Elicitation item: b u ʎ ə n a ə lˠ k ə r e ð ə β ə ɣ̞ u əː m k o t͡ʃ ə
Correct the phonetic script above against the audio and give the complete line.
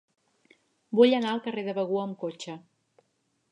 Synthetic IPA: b u ʎ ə n a ə lˠ k ə r e ð ə β ə ɣ̞ u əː m k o t͡ʃ ə

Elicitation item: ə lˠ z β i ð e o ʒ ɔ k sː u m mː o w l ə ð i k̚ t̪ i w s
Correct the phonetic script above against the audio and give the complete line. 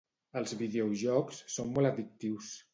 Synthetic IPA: ə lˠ z β i ð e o ʒ ɔ k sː o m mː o l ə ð i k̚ t̪ i w s

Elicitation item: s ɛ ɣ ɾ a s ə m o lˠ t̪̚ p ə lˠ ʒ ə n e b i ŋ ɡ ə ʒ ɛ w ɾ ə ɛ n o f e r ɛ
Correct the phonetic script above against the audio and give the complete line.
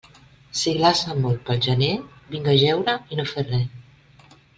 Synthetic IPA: s i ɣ l a s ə m o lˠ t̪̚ p ə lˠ ʒ ə n e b i ŋ ɡ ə ʒ ɛ w ɾ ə i n o f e r ɛ

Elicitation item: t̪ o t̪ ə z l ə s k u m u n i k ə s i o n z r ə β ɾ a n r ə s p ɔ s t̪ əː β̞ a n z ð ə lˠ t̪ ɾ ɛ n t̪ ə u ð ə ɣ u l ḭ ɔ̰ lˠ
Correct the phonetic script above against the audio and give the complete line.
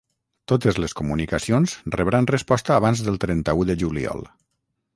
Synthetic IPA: t̪ o t̪ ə z l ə s k u m u n i k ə s i o n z r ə β ɾ a n r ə s p ɔ s t̪ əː β̞ a n z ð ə lˠ t̪ ɾ ɛ n t̪ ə u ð ə ʒ u l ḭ ɔ̰ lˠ

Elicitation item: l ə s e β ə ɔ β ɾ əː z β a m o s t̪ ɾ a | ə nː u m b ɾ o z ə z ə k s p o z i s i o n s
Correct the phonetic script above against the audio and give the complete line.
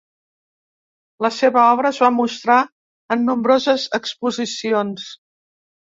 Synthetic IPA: l ə s e β ə ɔ β ɾ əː z β a m u s t̪ ɾ a | ə nː u m b ɾ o z ə z ə k s p u z i s i o n s

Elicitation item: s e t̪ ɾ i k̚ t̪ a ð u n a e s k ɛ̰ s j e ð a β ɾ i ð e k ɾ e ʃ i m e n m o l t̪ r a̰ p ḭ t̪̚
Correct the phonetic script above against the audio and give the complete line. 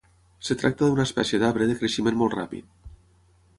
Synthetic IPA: s e t̪ ɾ a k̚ t̪ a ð u n a e s p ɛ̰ s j e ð a β ɾ e ð e k ɾ e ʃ i m e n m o l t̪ r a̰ p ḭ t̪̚

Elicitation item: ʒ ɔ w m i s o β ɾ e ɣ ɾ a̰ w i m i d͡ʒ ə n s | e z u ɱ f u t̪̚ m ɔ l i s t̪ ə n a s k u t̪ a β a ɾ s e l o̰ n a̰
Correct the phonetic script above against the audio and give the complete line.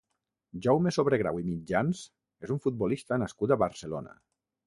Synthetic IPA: ʒ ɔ w m e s o β ɾ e ɣ ɾ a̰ w i m i d͡ʒ a n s | e z u ɱ f u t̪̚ b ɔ l i s t̪ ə n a s k u t̪ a β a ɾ s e l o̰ n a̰

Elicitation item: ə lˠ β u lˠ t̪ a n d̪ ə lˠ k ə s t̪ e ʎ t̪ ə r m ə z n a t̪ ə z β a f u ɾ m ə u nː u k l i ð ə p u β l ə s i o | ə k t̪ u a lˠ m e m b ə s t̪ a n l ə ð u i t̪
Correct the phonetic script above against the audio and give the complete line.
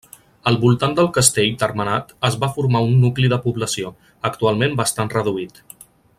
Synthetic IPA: ə lˠ β u lˠ t̪ a n d̪ ə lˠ k ə s t̪ e ʎ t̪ ə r m ə n a t̪ ə z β a f u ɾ m a u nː u k l i ð ə p u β l ə s i o | ə k t̪ u a lˠ m e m b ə s t̪ a n r ə ð u i t̪

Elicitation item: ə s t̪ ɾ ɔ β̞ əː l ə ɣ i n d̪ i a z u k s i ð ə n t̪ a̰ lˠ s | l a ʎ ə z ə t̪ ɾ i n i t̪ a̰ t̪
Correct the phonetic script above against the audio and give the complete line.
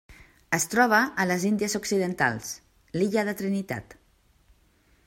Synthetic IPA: ə s t̪ ɾ ɔ β̞ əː l ə z i n d̪ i ə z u k s i ð ə n t̪ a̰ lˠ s | l i ʎ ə ð ə t̪ ɾ i n i t̪ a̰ t̪

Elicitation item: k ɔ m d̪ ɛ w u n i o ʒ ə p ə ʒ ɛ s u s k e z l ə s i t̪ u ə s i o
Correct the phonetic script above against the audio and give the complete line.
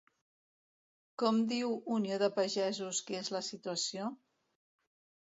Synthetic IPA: k ɔ m d̪ i w u n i o ð ə p ə ʒ ɛ z u s k e z l ə s i t̪ u ə s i o

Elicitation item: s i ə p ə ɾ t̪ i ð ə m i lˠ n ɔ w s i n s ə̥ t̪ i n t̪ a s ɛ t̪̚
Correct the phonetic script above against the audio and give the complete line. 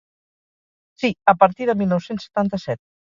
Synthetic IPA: s i ə p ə ɾ t̪ i ð ə m i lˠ n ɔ w s e n s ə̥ t̪ a n t̪ ə s ɛ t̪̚

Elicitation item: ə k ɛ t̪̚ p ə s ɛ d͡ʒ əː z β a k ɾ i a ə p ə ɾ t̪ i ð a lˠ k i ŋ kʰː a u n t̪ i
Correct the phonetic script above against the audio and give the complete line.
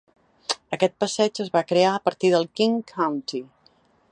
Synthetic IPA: ə k ɛ t̪̚ p ə s ɛ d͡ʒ ə z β a k ɾ e a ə p ə ɾ t̪ i ð ə lˠ k i ŋ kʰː a w n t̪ i

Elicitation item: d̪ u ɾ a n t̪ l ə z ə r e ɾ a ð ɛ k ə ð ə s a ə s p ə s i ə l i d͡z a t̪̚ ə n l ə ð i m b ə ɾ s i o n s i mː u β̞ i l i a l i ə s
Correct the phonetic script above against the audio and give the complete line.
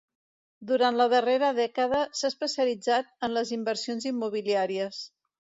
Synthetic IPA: d̪ u ɾ a n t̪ l ə ð ə r e ɾ ə ð ɛ k ə ð ə s a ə s p ə s i ə l i d͡z a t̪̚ ə n l ə z i m b ə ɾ s i o n z i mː u β̞ i l i a ɾ i ə s

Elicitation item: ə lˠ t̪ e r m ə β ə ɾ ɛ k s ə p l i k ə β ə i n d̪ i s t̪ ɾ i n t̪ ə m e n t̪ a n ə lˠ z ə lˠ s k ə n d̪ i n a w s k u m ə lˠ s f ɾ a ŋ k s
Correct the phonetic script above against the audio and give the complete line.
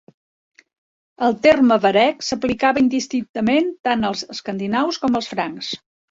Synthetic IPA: ə lˠ t̪ e r m ə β ə ɾ ɛ k s ə p l i k a β ə i n d̪ i s t̪ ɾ i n t̪ ə m e n t̪ a n ə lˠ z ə s k ə n d̪ i n a w s k ɔ m ə lˠ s f ɾ a ŋ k s

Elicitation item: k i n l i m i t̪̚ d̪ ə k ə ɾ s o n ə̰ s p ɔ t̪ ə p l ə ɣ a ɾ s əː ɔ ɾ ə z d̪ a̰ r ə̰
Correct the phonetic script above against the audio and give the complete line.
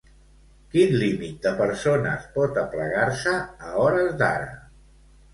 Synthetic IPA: k i n l i m i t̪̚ d̪ ə p ə ɾ s o n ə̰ s p ɔ t̪ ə p l ə ɣ a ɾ s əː ɔ ɾ ə z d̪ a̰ ɾ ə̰

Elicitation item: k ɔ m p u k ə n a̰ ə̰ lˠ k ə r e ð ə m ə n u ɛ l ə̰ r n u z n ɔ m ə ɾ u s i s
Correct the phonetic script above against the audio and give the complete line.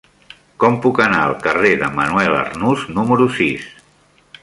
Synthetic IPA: k ɔ m p u k ə n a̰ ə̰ lˠ k ə r e ð ə m ə n u ɛ l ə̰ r n u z n u m ə ɾ u s i s

